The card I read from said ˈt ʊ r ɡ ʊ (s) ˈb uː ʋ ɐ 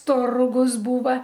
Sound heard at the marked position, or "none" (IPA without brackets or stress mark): s